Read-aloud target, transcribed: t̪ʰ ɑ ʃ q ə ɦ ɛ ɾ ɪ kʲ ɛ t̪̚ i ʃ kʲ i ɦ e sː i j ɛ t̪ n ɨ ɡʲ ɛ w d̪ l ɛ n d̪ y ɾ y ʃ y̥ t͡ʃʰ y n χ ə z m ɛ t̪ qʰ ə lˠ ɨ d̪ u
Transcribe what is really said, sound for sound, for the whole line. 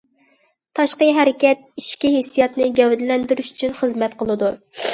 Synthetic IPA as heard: t̪ʰ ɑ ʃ q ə ɦ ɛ ɾ ɪ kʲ ɛ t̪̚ i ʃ kʲ i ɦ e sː i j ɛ t̪ n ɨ ɡʲ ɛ w d̪ l ɛ n d̪ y ɾ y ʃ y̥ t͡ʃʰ y n χ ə z m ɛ t̪ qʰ ə lˠ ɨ d̪ u